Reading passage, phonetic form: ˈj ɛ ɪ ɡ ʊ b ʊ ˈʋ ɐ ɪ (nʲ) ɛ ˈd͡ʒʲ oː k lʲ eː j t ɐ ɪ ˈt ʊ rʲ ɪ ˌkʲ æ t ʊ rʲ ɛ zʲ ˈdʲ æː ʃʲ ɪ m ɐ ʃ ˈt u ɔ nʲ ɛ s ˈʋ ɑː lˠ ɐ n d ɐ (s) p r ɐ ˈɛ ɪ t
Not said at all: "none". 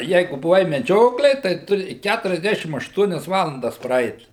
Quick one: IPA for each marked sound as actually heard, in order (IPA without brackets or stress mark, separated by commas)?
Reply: mʲ, s